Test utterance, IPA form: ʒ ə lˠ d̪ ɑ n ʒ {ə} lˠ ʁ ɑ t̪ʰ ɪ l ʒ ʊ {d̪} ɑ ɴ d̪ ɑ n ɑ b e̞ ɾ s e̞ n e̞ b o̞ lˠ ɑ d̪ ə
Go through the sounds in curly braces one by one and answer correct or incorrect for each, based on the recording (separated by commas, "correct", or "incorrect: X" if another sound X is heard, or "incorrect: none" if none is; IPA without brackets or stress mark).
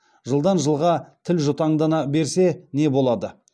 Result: correct, incorrect: t̪